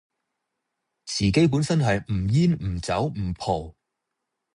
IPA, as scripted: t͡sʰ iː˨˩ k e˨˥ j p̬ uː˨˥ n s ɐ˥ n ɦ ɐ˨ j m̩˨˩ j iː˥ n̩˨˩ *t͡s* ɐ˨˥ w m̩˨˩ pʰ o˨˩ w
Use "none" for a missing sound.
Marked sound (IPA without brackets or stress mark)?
t͡s